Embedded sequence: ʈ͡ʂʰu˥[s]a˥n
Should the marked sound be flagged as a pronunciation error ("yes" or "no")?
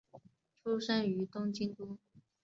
yes